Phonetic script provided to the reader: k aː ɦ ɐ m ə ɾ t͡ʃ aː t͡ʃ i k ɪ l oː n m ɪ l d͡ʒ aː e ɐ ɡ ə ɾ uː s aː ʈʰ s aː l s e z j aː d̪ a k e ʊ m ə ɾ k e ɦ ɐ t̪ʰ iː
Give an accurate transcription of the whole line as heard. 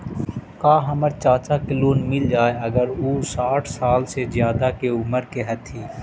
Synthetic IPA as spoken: k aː ɦ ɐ m ə ɾ t͡ʃ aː t͡ʃ a k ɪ l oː n m ɪ l d͡ʒ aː e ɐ ɡ ə ɾ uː s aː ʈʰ s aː l s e z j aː d̪ a k e ʊ m ə ɾ k e ɦ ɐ t̪ʰ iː